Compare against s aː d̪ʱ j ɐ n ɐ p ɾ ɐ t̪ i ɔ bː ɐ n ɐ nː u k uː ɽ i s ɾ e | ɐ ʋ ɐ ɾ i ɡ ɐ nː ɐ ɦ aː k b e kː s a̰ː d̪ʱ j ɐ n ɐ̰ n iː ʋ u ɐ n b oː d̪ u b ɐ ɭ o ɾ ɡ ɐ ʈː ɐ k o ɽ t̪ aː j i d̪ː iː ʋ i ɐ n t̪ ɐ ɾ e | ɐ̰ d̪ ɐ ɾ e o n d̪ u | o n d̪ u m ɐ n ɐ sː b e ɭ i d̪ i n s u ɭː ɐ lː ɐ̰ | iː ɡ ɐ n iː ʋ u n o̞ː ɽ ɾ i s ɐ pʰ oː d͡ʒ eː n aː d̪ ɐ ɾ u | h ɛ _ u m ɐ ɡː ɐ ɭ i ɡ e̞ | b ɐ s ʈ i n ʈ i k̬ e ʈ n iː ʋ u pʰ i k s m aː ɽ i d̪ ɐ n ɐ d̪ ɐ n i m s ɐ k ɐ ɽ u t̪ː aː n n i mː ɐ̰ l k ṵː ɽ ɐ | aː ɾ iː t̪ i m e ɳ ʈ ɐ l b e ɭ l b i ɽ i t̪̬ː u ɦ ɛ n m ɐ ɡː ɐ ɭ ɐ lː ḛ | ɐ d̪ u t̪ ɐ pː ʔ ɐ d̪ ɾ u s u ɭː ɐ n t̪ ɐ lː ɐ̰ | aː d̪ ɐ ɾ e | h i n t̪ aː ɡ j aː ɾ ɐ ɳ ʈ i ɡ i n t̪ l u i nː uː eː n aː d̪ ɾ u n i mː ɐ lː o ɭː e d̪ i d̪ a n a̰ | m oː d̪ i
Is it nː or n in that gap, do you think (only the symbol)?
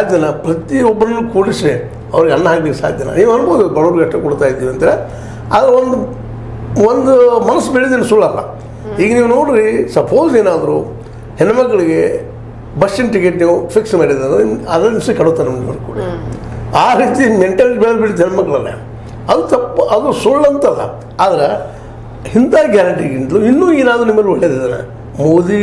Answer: n